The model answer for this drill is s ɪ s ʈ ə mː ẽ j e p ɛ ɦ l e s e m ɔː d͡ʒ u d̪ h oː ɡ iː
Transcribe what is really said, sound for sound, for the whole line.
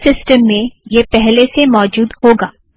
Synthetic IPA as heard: s ɪ s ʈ ə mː ẽ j e p ɛ ɦ l e s e m ɔː d͡ʒ uː d̪ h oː ɡ aː